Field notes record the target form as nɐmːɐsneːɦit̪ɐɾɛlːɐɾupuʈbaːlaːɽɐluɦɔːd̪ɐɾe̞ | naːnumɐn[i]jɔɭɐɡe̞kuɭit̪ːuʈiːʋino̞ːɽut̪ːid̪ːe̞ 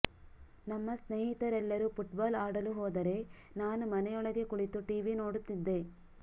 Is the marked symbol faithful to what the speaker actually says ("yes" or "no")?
no